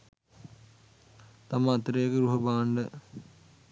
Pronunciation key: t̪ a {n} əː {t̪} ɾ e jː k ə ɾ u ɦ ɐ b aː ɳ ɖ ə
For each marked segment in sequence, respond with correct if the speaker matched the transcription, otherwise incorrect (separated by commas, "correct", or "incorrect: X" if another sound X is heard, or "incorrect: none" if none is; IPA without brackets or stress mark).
incorrect: m, correct